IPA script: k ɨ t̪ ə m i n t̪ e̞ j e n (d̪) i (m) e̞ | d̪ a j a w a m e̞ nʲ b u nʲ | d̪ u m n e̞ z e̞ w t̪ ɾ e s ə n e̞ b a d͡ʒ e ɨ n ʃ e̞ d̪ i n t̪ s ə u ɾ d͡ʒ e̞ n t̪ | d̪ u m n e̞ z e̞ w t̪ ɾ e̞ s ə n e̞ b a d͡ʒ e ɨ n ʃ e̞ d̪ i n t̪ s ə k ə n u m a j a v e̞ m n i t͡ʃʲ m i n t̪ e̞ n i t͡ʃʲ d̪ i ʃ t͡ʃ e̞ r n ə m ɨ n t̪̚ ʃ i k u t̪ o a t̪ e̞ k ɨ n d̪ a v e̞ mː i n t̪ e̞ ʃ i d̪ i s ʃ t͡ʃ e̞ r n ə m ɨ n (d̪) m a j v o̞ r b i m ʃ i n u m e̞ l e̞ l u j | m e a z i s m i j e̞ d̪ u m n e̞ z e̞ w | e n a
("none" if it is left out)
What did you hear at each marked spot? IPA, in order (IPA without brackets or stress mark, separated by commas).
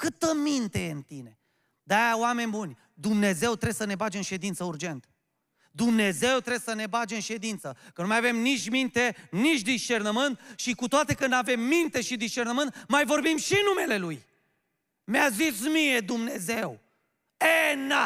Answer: t̪, n, t̪